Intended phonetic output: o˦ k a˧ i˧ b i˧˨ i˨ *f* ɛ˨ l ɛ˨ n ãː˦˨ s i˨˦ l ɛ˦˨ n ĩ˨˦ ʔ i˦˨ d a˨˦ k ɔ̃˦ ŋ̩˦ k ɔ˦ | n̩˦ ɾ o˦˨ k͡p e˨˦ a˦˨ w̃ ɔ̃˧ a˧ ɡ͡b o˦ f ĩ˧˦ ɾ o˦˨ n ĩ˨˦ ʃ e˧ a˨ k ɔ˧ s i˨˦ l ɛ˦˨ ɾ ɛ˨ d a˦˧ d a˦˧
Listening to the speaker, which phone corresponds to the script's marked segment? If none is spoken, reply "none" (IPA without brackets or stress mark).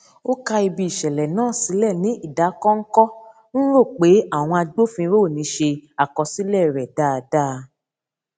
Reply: ʃ